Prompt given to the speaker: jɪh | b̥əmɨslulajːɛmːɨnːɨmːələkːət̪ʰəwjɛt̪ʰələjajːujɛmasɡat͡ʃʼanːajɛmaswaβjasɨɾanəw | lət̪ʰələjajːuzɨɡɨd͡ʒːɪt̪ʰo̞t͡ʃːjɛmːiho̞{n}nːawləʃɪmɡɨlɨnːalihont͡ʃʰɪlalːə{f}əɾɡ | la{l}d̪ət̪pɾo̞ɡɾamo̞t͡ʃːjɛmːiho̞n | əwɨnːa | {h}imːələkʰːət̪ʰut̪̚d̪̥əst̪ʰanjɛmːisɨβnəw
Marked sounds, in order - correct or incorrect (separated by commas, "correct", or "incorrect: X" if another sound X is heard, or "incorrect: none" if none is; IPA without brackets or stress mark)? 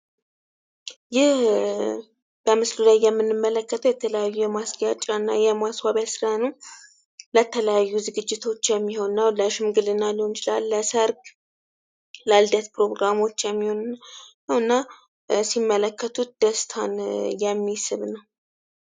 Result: correct, incorrect: s, correct, incorrect: s